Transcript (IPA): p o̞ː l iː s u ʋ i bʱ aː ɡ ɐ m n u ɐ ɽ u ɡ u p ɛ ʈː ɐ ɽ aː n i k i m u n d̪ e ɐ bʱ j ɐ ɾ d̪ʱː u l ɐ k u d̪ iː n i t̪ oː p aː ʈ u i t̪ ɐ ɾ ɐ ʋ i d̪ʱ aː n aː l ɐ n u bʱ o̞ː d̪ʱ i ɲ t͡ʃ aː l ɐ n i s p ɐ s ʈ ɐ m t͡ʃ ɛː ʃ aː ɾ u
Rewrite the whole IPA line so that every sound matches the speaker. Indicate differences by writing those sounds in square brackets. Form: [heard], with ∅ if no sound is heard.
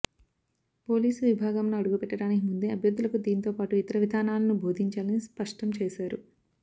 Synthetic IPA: p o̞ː l iː s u ʋ i bʱ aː ɡ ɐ m n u ɐ ɽ u ɡ u p ɛ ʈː ɐ ɽ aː n i k i m u n d̪ e ɐ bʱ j ɐ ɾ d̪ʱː u l ɐ k u d̪ iː n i t̪ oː p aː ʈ u i t̪ ɐ ɾ ɐ ʋ i d̪ʱ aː n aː l ɐ n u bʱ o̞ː d̪ʱ i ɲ t͡ʃ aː l ɐ n i s p ɐ [ʂ] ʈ ɐ m t͡ʃ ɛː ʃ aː ɾ u